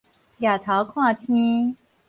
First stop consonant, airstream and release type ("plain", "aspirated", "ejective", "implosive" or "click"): aspirated